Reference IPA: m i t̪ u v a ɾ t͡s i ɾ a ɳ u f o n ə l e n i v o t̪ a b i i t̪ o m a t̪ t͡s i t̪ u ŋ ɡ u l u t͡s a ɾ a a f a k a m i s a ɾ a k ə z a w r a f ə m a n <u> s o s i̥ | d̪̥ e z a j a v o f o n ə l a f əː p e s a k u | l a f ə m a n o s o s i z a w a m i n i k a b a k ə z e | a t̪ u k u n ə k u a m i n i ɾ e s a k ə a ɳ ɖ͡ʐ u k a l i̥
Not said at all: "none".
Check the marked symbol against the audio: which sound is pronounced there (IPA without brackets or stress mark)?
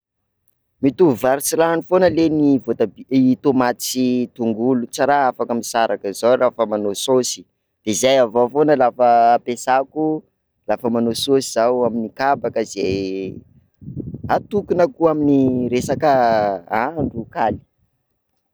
o